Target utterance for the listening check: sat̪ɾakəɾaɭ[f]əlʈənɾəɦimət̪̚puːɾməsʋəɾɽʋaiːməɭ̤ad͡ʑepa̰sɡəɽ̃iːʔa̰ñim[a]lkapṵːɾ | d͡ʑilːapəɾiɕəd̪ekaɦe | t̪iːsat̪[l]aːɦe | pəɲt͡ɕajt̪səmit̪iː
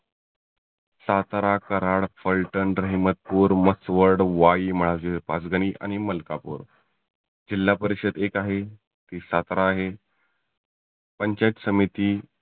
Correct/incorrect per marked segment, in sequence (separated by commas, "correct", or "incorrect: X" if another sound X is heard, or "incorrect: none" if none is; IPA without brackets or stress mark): correct, incorrect: ə, incorrect: ɾ